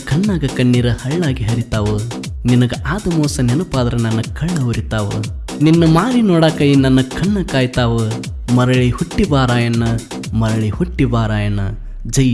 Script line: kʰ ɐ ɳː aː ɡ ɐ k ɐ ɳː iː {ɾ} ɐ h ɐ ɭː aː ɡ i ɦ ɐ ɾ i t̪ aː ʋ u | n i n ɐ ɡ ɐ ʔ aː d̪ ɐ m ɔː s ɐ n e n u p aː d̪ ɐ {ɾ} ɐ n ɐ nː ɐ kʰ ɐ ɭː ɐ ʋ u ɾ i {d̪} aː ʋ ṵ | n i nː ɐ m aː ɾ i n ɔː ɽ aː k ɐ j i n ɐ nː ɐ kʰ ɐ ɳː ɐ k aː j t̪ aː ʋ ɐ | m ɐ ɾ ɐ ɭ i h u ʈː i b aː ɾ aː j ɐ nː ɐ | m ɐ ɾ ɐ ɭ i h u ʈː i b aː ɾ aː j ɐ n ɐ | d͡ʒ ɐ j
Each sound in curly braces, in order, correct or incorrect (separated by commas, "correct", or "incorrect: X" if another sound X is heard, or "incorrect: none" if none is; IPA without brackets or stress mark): correct, correct, incorrect: t̪